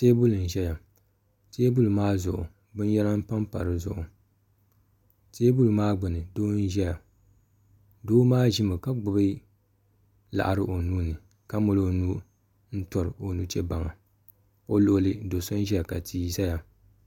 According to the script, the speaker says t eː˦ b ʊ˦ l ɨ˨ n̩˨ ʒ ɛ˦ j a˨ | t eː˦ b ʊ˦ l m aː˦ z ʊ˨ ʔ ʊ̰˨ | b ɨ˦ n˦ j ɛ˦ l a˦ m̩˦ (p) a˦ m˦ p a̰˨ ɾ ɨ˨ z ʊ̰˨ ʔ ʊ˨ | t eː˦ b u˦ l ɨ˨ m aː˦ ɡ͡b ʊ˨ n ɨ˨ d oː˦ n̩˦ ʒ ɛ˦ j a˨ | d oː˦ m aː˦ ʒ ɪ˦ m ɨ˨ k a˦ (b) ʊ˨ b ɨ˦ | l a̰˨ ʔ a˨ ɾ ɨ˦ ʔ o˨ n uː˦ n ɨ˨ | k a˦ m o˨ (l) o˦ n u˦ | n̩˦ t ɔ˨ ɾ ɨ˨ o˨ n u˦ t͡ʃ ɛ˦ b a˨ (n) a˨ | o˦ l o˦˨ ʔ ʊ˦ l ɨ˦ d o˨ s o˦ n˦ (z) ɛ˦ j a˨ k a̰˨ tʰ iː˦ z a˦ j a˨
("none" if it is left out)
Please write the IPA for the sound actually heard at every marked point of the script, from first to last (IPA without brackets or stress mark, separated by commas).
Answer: p, ɡ͡b, l, ŋ, ʒ